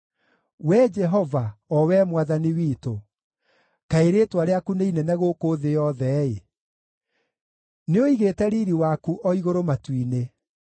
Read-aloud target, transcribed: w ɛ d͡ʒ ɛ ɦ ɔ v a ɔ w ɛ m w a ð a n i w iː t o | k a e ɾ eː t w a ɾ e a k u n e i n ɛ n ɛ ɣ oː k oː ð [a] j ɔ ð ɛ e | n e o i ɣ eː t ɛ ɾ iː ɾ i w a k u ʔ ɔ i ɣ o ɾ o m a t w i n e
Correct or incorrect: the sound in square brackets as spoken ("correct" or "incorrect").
incorrect